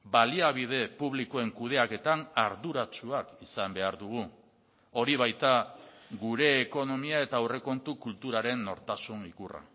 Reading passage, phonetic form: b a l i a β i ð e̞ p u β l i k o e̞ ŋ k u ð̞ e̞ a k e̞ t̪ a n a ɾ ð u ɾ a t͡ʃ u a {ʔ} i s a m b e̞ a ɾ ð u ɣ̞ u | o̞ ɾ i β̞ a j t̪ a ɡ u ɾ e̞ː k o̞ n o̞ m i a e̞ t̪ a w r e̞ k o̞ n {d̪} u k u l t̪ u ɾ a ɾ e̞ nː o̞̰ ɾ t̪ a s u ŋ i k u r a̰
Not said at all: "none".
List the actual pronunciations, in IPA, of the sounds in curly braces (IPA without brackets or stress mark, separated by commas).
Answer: k, t̪